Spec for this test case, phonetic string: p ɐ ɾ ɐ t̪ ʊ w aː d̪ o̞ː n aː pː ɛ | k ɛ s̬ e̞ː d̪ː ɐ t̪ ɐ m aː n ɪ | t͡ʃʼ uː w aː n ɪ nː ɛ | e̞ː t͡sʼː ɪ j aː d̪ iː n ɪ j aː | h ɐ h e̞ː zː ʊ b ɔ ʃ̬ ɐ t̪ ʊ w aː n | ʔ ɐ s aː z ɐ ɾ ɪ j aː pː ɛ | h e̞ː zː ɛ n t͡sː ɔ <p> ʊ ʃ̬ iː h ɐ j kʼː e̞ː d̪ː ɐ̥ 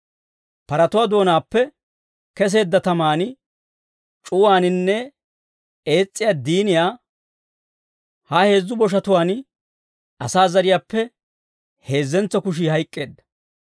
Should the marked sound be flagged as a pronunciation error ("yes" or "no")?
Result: yes